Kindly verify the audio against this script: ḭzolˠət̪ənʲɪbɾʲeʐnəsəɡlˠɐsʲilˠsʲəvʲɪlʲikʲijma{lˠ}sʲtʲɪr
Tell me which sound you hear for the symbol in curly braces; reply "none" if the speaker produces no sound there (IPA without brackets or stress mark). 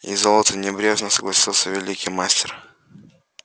none